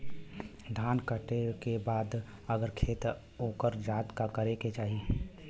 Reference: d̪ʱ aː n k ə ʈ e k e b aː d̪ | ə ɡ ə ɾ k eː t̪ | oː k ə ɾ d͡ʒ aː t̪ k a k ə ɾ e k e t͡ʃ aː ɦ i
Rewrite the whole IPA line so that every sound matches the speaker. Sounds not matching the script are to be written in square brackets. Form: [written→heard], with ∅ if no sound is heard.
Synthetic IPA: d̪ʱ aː n k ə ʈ e k e b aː d̪ | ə ɡ ə ɾ [k→kʰ] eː t̪ | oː k ə ɾ d͡ʒ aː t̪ k a k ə ɾ e k e t͡ʃ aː ɦ i